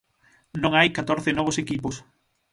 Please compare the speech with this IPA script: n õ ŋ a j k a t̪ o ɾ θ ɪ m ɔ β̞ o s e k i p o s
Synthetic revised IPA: n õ ŋ a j k a t̪ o ɾ θ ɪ n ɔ β̞ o s e k i p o s